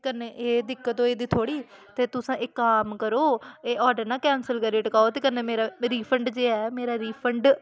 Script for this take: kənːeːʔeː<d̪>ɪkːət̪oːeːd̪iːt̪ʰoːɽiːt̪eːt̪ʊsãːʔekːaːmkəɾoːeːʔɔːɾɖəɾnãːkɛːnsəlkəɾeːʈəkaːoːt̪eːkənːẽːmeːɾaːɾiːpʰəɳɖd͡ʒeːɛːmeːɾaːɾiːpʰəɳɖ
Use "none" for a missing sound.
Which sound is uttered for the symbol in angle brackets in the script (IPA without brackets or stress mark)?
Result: d̪